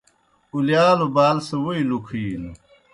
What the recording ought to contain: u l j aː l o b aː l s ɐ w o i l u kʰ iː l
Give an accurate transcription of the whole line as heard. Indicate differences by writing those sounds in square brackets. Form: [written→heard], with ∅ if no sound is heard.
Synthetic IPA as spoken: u l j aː l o b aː l s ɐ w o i l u kʰ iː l